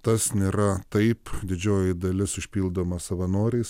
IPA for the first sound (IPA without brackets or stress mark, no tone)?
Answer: t̪